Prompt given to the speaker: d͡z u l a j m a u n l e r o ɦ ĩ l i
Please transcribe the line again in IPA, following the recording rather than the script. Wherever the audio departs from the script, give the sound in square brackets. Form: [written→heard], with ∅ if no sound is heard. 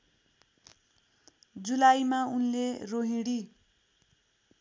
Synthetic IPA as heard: d͡z u l a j m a u n l e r o ɦ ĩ [l→ɽ] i